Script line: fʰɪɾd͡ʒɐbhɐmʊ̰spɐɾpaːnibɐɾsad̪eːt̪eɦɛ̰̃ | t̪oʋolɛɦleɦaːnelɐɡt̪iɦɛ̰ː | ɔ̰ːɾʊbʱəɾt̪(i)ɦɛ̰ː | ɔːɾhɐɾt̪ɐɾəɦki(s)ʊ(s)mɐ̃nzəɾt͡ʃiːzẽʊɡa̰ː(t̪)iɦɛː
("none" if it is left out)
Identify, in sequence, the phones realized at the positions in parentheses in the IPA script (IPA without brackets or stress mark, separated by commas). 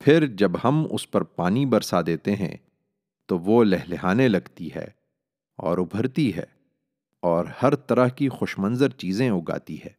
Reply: i, x, ʃ, t̪